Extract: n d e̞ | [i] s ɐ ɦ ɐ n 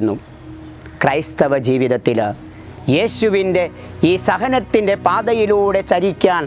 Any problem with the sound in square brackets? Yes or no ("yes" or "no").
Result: yes